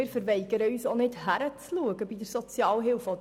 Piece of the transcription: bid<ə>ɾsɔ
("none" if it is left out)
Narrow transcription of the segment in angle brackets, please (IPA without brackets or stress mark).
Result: ə